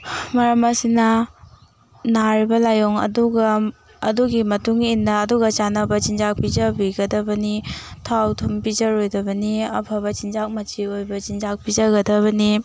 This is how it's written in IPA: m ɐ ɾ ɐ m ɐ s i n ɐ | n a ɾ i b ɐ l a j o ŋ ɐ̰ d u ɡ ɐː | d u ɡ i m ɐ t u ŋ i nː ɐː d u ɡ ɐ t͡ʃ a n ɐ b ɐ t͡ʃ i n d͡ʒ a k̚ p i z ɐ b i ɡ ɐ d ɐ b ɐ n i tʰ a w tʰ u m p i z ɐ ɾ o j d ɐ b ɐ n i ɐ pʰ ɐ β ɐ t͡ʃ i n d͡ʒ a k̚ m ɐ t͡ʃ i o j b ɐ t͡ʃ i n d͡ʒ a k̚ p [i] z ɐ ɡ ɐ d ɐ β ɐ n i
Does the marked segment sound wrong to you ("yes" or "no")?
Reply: no